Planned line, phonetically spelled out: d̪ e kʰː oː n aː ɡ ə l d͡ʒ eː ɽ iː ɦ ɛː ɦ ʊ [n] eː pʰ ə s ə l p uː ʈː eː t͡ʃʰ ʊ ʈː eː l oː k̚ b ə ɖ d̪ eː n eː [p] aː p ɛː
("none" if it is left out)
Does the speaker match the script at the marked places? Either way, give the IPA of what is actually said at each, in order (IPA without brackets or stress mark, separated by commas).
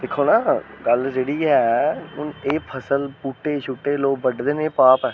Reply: n, p